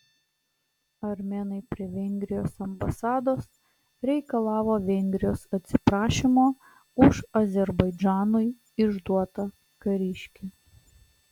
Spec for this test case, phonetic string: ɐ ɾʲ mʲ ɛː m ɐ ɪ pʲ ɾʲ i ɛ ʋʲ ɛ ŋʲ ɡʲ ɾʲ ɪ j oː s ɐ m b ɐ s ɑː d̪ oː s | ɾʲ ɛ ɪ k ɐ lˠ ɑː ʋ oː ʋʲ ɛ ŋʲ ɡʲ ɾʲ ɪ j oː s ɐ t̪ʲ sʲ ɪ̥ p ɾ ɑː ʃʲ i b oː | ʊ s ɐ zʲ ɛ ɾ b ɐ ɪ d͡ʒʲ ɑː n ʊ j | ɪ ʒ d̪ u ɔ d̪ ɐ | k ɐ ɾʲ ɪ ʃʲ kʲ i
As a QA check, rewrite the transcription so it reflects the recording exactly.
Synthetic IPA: ɐ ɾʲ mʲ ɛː n ɐ ɪ pʲ ɾʲ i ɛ ʋʲ ɛ ŋʲ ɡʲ ɾʲ ɪ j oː s ɐ m b ɐ s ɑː d̪ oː s | ɾʲ ɛ ɪ k ɐ lˠ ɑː ʋ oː ʋʲ ɛ ŋʲ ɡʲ ɾʲ ɪ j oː s ɐ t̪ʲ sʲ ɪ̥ p ɾ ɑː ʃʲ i m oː | ʊ ʃ ɐ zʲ ɛ ɾ b ɐ ɪ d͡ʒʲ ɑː n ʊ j | ɪ ʒ d̪ u ɔ t̪ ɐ | k ɐ ɾʲ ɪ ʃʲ kʲ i